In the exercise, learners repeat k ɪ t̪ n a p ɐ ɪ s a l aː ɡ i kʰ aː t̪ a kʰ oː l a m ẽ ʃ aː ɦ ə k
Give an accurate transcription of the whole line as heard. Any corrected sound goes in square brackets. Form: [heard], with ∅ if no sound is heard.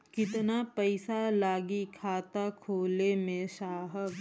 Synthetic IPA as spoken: k ɪ t̪ n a p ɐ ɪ s a l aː ɡ i kʰ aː t̪ a kʰ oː l [e] m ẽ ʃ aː ɦ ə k